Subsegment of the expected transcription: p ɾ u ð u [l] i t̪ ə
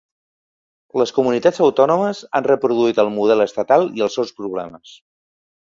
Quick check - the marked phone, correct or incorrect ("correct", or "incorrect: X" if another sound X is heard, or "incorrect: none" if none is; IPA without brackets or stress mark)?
incorrect: none